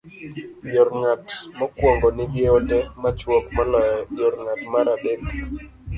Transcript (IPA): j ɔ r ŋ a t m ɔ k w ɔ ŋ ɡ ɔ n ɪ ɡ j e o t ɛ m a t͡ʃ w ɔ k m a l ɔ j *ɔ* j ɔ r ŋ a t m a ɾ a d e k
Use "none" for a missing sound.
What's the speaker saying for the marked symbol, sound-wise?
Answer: ɔ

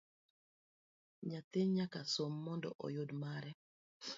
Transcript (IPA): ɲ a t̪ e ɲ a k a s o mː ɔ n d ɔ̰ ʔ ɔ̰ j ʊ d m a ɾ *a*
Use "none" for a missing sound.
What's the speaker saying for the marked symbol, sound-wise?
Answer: ɛ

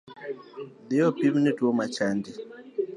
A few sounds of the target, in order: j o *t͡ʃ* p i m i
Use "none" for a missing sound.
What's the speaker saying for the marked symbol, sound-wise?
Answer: none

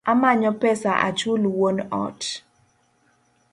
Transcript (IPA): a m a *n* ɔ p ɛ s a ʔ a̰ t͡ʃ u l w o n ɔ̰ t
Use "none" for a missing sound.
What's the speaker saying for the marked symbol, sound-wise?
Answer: ɲ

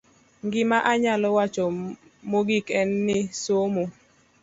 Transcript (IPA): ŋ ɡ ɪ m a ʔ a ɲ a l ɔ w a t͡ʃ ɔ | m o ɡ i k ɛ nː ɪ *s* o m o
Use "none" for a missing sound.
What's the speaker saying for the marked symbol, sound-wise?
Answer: s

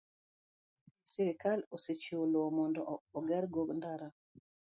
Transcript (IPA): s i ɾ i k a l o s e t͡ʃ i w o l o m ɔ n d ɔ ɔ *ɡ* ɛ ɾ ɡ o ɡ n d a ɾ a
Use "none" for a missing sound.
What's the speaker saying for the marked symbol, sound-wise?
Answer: ɡ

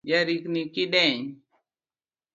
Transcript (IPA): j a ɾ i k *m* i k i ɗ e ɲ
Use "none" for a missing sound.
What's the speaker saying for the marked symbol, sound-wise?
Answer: n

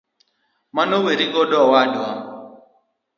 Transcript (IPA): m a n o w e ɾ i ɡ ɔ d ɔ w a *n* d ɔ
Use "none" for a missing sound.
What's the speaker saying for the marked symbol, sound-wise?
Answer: none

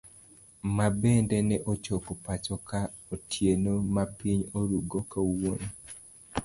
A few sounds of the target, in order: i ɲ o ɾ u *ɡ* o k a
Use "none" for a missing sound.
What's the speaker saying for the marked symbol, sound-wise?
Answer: ɡ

